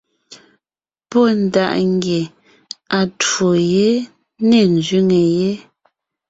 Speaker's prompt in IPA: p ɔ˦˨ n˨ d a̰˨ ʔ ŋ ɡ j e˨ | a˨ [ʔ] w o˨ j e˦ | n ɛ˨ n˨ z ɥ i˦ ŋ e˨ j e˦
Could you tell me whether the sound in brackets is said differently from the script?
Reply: yes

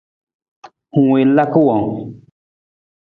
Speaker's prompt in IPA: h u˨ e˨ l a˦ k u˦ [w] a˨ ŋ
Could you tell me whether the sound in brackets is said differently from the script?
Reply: no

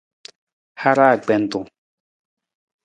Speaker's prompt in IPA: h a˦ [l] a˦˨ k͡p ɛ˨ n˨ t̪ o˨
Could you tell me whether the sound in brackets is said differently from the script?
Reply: yes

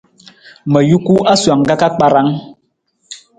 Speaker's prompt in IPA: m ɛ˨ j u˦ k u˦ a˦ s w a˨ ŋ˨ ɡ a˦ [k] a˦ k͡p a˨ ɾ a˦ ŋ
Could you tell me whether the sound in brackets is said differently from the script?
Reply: no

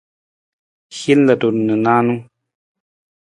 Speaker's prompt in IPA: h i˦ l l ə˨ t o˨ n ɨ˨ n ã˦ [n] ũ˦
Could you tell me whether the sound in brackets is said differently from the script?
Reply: no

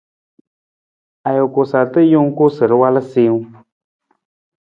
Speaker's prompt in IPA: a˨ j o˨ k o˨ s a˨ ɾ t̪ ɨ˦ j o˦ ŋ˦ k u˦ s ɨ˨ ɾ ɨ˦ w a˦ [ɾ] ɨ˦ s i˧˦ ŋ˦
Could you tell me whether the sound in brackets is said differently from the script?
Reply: yes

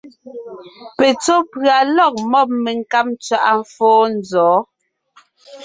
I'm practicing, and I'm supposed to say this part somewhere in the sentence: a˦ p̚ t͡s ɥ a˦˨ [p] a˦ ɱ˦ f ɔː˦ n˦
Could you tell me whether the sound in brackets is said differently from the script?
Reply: yes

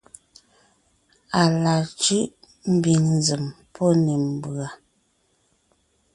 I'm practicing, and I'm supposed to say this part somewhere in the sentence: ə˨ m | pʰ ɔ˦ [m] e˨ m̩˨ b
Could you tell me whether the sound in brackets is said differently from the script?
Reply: yes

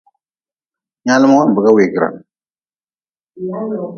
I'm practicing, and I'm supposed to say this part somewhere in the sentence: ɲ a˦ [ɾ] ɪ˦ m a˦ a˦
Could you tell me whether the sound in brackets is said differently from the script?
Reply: yes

